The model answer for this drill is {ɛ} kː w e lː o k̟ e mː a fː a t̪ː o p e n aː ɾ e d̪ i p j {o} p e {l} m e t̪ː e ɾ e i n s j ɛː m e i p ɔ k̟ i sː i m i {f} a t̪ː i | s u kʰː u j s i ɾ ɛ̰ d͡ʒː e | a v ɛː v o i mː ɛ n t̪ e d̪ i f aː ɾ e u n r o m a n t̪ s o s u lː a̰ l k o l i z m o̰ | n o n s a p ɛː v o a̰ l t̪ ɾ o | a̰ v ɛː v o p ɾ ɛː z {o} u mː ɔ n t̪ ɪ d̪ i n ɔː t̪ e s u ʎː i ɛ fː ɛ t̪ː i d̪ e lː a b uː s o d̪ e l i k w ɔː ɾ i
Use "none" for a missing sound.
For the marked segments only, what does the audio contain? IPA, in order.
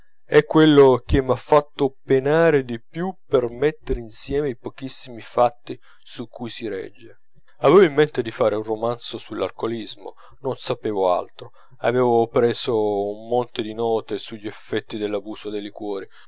ɛ, u, r, f, o

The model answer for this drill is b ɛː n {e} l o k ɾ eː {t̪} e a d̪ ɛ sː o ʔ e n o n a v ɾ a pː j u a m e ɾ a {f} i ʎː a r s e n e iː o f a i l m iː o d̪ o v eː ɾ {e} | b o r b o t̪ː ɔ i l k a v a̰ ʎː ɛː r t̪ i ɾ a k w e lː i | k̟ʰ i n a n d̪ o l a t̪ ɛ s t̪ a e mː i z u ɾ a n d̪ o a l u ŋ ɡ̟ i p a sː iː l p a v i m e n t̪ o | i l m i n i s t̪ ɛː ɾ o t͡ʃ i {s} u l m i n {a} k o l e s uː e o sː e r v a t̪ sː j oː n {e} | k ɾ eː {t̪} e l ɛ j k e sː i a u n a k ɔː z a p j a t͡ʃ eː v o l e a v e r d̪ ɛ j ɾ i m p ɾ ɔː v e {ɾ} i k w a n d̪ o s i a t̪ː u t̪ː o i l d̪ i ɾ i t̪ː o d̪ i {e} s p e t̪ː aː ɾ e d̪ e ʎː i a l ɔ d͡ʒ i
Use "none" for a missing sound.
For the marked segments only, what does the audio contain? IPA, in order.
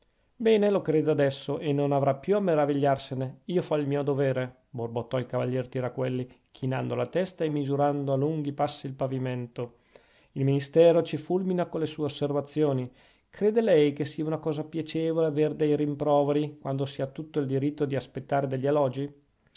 e, d̪, v, e, f, a, i, d̪, ɾ, a

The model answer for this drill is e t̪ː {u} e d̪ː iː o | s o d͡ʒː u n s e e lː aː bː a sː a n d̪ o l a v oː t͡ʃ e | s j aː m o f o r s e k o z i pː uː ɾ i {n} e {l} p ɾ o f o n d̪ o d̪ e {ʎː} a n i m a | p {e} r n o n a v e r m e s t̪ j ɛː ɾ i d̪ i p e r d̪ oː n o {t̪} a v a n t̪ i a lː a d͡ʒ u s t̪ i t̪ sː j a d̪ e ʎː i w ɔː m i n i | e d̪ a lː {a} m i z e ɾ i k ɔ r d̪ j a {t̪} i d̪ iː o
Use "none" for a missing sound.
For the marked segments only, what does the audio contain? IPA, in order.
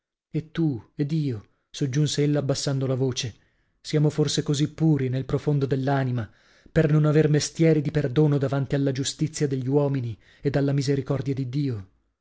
u, n, l, lː, e, d̪, a, d̪

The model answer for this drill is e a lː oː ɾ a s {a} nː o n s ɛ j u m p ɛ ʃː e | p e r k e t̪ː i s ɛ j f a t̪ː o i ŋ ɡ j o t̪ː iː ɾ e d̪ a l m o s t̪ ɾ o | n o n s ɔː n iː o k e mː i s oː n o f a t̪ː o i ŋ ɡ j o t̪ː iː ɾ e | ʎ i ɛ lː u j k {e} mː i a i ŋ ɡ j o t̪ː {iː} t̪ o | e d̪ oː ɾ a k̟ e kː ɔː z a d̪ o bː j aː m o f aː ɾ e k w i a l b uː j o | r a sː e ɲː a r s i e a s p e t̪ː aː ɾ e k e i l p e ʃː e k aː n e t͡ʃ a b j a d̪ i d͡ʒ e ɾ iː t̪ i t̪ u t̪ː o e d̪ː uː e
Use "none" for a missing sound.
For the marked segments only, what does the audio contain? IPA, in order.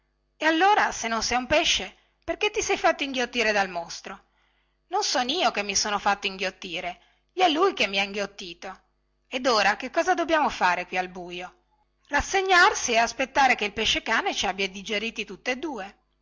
e, e, iː

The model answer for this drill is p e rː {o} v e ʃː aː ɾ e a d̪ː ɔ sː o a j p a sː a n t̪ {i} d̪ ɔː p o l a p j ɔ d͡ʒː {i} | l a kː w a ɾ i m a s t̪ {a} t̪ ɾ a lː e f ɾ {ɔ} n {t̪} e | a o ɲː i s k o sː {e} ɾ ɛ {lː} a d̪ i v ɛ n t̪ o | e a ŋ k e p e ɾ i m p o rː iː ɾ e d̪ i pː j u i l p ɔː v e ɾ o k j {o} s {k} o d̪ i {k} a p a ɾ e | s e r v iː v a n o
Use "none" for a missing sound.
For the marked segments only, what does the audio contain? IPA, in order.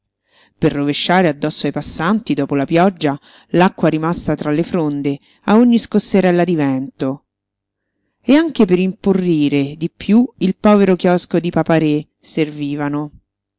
o, i, a, a, o, d̪, e, lː, ɔ, k, p

